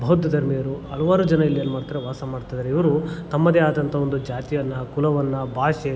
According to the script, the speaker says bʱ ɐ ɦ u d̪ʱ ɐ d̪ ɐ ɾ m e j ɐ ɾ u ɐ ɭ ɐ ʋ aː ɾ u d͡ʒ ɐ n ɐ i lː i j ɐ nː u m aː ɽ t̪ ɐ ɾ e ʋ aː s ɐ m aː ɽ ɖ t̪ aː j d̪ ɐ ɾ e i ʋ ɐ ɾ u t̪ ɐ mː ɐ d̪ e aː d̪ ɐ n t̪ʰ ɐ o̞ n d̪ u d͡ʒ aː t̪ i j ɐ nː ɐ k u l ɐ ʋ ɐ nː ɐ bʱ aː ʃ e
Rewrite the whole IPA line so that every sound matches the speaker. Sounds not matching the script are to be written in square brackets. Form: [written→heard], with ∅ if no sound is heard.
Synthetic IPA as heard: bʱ ɐ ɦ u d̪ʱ ɐ d̪ ɐ ɾ m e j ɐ ɾ u ɐ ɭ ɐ ʋ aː ɾ u d͡ʒ ɐ n ɐ i lː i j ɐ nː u m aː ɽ t̪ ɐ ɾ e ʋ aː s ɐ m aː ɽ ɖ t̪ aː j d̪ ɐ ɾ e i ʋ ɐ ɾ u t̪ ɐ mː ɐ d̪ e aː d̪ ɐ n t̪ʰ ɐ o̞ n d̪ u d͡ʒ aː t̪ i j ɐ nː ɐ k u l ɐ ʋ ɐ nː ɐ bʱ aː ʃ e